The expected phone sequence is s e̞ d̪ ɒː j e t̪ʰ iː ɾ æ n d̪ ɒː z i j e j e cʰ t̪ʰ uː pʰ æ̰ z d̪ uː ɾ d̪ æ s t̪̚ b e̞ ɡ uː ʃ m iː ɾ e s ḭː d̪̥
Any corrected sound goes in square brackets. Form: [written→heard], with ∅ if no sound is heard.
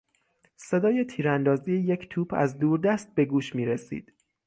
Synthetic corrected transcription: s e̞ d̪ ɒː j e t̪ʰ iː ɾ æ n d̪ ɒː z i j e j e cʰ t̪ʰ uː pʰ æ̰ z d̪ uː ɾ d̪ æ s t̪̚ b e̞ ɡ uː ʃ m iː ɾ e s ḭː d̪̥